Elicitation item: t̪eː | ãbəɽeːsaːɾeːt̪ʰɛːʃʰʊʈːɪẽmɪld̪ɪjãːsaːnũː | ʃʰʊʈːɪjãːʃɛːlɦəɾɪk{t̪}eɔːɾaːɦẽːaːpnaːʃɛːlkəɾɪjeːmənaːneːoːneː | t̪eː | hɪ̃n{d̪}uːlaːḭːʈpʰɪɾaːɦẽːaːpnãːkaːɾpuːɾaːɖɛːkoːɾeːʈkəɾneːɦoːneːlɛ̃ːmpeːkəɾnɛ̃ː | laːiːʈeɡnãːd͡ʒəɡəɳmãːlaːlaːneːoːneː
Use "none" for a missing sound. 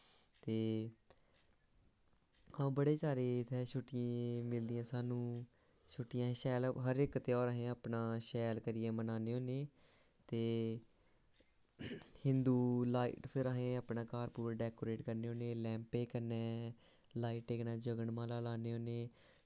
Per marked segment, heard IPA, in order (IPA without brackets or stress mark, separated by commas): t̪, d̪